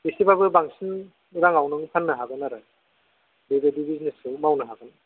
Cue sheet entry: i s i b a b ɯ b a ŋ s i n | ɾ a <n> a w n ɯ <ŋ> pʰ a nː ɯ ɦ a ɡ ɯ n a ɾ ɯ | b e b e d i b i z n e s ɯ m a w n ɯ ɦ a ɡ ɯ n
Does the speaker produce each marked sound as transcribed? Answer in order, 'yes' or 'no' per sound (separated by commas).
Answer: no, yes